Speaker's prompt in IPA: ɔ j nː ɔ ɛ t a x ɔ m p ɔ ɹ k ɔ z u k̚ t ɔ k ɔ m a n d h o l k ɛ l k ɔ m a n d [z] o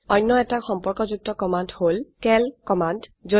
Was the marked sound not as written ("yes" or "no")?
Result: no